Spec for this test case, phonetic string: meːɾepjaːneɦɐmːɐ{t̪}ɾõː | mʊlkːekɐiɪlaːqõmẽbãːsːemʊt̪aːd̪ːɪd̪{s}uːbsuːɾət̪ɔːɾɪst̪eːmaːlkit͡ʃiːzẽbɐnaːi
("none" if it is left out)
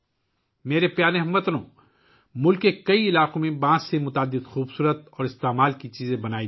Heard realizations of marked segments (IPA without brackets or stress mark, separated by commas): t̪, x